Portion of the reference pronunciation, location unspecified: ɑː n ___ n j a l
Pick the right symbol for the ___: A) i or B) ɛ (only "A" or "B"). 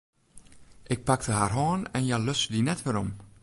B